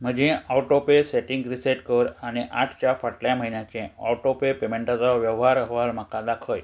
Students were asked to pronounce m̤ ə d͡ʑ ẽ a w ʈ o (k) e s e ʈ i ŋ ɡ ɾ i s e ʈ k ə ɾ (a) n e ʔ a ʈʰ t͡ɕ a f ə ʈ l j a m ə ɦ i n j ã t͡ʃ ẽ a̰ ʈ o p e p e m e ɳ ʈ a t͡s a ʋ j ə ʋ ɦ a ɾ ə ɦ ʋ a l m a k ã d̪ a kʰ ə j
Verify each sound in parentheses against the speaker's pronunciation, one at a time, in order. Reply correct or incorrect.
incorrect, correct

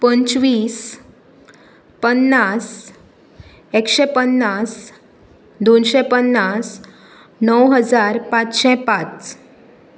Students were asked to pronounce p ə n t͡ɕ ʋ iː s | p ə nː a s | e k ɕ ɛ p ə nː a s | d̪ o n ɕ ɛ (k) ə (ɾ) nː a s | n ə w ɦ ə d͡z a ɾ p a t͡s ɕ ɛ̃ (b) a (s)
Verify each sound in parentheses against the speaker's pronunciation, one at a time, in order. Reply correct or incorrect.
incorrect, incorrect, incorrect, incorrect

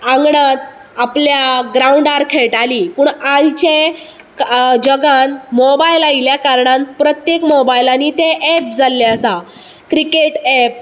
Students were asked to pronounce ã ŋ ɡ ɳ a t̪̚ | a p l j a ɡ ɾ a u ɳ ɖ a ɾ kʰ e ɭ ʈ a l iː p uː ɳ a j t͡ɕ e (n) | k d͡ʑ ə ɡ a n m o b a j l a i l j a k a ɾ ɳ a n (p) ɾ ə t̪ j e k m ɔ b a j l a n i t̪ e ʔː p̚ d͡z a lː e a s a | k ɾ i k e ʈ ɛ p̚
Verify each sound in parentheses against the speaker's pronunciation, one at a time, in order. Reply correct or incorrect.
incorrect, correct

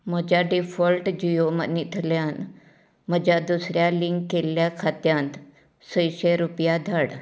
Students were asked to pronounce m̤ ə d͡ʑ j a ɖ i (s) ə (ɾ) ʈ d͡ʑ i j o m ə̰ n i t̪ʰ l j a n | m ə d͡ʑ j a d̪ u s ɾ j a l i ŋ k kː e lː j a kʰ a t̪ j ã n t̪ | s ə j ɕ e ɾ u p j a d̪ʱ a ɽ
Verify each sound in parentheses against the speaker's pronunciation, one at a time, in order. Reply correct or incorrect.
incorrect, incorrect

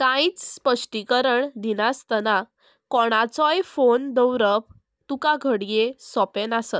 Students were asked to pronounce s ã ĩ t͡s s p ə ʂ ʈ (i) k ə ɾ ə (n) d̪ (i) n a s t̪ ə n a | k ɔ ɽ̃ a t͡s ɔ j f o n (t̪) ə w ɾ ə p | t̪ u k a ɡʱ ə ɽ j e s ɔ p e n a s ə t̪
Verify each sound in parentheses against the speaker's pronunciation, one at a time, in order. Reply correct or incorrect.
correct, incorrect, correct, incorrect

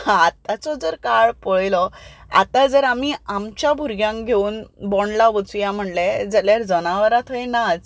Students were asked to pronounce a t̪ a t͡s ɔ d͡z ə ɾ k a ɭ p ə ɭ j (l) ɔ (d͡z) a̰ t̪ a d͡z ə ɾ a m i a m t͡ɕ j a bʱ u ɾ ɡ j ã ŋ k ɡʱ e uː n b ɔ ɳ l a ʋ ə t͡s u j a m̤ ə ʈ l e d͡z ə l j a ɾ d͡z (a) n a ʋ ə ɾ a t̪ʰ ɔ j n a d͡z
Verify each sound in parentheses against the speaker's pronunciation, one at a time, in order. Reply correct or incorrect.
correct, incorrect, incorrect

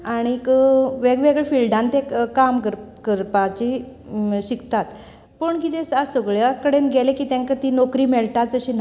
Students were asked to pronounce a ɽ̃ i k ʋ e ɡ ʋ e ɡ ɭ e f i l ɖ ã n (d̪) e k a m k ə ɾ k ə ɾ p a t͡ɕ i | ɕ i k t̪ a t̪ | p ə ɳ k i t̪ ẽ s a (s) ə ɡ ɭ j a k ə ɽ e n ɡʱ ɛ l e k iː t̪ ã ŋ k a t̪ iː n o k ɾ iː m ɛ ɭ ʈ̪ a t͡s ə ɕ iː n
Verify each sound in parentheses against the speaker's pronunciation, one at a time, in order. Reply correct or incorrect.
incorrect, correct

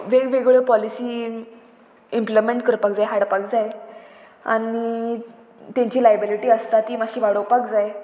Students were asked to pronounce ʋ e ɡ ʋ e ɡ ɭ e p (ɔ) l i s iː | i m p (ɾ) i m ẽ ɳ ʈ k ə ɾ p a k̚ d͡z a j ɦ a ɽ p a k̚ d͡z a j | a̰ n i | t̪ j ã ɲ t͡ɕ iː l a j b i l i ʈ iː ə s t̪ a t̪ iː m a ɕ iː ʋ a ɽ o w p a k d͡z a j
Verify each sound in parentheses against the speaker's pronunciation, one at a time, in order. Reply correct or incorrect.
correct, incorrect

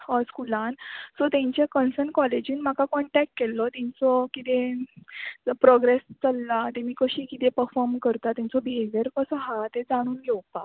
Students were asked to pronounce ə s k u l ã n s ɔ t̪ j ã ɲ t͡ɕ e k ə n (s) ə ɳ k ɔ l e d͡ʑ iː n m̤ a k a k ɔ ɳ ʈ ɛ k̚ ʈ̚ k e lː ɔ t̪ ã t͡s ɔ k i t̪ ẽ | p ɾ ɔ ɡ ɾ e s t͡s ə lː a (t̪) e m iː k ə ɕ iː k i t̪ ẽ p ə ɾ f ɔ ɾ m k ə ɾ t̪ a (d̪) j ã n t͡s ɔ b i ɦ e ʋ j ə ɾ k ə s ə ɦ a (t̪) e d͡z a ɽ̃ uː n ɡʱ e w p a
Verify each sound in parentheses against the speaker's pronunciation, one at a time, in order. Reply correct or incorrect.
correct, correct, incorrect, correct

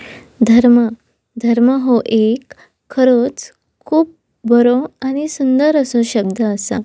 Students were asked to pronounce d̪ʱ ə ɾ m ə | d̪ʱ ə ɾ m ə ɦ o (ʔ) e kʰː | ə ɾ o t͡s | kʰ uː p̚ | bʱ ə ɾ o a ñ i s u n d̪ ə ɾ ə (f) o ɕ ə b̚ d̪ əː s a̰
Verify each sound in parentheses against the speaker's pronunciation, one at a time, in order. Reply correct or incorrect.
correct, incorrect

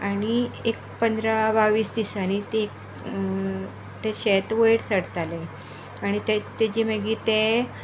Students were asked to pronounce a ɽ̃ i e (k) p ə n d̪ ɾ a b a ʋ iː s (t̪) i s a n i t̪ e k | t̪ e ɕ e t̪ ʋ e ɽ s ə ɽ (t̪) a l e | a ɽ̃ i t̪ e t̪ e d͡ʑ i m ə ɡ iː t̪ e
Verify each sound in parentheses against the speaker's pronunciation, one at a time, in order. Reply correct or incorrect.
correct, incorrect, correct

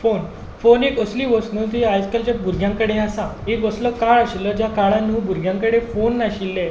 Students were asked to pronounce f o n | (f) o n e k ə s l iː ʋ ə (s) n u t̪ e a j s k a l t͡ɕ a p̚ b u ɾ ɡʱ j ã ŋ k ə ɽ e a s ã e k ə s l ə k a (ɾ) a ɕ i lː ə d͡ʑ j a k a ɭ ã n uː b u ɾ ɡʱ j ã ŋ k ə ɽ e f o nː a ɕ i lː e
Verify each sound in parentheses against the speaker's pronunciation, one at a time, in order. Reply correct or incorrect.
correct, correct, incorrect

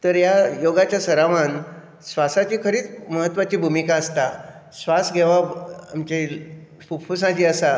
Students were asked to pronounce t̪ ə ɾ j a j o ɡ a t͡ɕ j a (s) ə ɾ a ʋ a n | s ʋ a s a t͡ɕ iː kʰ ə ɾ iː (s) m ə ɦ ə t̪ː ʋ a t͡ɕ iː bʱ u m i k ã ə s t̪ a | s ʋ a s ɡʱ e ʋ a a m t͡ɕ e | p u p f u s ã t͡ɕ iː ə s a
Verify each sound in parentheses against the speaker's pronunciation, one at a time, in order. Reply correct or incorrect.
correct, incorrect

